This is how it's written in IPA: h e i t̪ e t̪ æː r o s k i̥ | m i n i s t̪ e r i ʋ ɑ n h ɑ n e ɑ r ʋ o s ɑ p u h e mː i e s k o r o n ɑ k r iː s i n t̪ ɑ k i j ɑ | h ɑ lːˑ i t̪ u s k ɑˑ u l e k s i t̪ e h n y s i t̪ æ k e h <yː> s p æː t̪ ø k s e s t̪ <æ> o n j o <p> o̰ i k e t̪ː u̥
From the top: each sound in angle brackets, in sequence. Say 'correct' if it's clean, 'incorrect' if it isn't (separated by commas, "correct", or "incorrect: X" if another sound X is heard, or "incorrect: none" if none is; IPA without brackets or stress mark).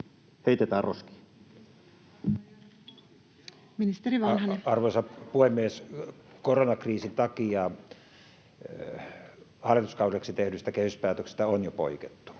incorrect: y, correct, correct